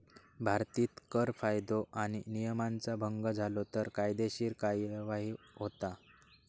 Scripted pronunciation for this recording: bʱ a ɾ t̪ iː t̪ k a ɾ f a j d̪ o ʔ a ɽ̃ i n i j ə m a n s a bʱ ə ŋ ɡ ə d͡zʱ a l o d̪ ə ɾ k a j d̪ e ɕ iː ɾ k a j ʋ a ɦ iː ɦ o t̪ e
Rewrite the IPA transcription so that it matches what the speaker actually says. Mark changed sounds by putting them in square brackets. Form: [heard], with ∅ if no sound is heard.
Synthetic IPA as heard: bʱ a ɾ t̪ iː t̪ k [ə] ɾ f a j d̪ o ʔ a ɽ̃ i n i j ə m a n [t͡s] a bʱ ə ŋ ɡ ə d͡zʱ a l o [t̪] ə ɾ k a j d̪ e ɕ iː ɾ k a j ʋ a ɦ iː ɦ o t̪ [a]